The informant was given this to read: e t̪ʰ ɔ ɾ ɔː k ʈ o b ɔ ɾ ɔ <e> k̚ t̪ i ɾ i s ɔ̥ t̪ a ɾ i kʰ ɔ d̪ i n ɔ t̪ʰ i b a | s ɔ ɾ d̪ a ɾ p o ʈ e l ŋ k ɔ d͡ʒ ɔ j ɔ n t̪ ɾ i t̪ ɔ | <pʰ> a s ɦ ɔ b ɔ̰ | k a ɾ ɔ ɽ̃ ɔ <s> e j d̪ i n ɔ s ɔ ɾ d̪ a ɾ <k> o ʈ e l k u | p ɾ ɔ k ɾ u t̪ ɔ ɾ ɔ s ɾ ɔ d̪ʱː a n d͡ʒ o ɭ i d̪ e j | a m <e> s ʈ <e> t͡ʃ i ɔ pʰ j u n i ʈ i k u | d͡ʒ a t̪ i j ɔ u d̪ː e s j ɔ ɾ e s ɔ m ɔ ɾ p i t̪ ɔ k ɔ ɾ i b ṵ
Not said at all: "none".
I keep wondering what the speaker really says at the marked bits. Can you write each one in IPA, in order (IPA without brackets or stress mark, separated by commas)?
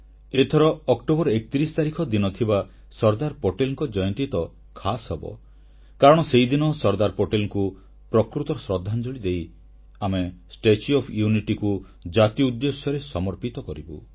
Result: e, kʰ, s, p, e, e